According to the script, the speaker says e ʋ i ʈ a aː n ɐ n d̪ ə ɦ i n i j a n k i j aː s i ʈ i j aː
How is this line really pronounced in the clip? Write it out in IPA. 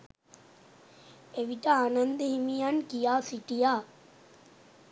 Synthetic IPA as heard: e ʋ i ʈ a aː n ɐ n d̪ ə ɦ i m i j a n k i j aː s i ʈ i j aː